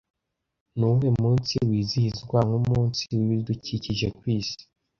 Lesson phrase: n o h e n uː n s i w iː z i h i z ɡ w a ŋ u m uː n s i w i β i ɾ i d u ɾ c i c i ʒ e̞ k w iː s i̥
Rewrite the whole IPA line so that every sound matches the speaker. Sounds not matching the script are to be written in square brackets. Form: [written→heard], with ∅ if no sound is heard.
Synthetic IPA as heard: n [o→u] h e [n→m] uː n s i w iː z i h i z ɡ w a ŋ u m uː n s i w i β i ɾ i d u [ɾ→∅] c i c i ʒ e̞ k w iː s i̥

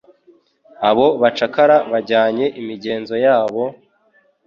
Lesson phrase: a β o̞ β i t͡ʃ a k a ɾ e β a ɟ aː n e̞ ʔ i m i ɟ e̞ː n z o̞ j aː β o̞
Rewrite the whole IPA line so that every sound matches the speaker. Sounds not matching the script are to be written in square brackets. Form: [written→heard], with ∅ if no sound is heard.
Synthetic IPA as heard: a β o̞ β [i→a] t͡ʃ a k a ɾ [e→a] β a ɟ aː [n→ɲ] e̞ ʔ i m i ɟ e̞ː n z o̞ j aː β o̞

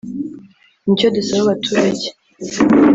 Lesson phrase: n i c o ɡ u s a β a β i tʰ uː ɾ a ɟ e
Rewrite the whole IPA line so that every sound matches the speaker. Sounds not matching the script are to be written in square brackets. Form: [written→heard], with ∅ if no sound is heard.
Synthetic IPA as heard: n i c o [ɡ→d] u s a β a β [i→a] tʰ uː ɾ a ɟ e

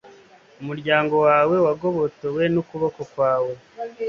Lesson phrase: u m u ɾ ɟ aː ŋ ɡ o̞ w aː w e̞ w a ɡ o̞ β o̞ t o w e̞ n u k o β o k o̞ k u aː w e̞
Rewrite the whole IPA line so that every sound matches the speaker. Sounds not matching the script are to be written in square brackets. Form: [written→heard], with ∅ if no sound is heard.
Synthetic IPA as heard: u m u ɾ ɟ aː ŋ ɡ o̞ w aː w e̞ w a ɡ o̞ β o̞ t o w e̞ n u k [o→u] β o k o̞ k [u→w] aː w e̞

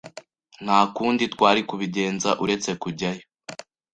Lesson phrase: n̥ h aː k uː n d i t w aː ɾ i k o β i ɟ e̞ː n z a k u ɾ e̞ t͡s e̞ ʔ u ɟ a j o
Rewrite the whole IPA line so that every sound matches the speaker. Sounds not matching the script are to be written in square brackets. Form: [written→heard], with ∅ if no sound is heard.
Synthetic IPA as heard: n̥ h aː k uː n d i t w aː ɾ i k [o→u] β i ɟ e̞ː n z a [k→ʔ] u ɾ e̞ t͡s e̞ [ʔ→k] u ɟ a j o

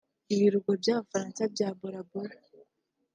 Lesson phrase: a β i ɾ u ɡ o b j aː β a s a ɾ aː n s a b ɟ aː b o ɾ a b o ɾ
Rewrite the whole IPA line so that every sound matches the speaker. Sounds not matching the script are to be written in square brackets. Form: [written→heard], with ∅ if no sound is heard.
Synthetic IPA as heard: [a→i] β i ɾ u ɡ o b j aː β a [s→f] a ɾ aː n s a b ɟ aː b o ɾ a b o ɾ

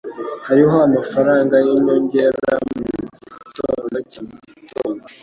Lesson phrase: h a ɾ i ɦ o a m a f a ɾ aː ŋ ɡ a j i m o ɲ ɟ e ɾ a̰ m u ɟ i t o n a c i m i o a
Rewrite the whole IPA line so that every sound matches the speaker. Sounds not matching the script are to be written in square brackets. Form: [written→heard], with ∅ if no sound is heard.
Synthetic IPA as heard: h a ɾ i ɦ o a m a f a ɾ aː ŋ ɡ a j i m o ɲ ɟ e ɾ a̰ m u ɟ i t o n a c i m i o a

